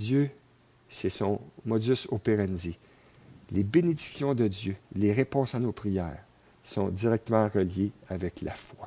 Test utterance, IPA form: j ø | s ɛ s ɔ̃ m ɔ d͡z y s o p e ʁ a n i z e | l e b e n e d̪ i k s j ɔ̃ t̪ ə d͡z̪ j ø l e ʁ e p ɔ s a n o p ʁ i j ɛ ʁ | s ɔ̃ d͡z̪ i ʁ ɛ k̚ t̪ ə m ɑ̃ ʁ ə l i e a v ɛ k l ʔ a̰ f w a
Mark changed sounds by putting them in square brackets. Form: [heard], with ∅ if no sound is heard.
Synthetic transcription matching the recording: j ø | s ɛ s ɔ̃ m ɔ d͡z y s o p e ʁ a n i z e | l e b e n e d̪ i k s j ɔ̃ [d̪] ə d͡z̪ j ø l e ʁ e p [ɔ̃] s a n o p ʁ i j [ɛː] ʁ | s ɔ̃ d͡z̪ i ʁ ɛ k̚ t̪ ə m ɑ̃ ʁ ə l [j] e a v ɛ k l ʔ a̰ f w a